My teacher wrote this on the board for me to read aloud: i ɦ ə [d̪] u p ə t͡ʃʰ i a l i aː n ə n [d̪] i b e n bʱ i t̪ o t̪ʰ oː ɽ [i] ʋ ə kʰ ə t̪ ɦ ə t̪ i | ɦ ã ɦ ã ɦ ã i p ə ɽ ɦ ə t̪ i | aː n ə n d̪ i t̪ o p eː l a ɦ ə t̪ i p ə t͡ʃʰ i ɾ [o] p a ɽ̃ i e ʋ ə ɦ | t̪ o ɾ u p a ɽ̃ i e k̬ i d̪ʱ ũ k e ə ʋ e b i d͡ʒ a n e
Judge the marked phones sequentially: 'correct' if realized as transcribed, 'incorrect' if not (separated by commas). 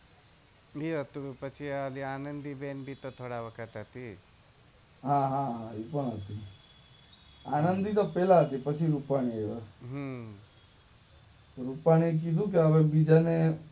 incorrect, correct, incorrect, incorrect